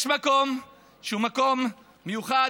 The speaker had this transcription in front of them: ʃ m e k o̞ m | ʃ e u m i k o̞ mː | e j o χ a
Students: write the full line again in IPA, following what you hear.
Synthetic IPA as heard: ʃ m a k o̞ m | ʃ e u m a k o̞ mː | e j u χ a